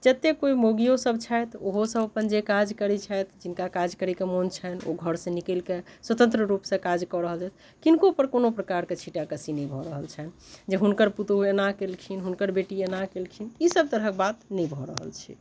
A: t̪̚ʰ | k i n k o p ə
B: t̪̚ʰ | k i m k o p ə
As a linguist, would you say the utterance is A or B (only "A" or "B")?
A